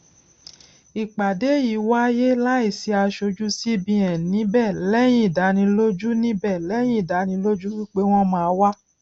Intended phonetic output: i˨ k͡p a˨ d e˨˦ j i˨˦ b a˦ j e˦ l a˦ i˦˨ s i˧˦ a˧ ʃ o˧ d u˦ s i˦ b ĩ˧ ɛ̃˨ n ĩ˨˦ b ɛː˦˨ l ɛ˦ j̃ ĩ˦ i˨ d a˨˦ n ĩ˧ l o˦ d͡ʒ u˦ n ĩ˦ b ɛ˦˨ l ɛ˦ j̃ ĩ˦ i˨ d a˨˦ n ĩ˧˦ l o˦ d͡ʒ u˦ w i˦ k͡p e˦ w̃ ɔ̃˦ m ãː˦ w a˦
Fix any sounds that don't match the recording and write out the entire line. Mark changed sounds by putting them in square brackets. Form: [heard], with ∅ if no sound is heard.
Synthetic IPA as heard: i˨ k͡p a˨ d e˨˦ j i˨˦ [w] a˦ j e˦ l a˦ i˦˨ s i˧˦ a˧ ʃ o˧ [d͡ʒ] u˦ s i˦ b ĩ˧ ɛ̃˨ n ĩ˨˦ b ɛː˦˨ l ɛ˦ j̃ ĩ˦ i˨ d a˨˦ n ĩ˧ l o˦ d͡ʒ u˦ n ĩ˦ b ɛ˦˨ l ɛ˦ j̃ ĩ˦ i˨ d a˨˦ n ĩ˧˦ l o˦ d͡ʒ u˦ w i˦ k͡p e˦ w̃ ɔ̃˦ m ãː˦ w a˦